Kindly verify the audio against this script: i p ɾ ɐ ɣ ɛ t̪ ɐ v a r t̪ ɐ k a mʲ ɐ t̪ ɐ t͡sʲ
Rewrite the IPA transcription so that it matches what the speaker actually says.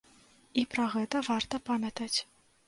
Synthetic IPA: i p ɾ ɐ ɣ ɛ t̪ ɐ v a r t̪ ɐ p a mʲ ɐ t̪ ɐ t͡sʲ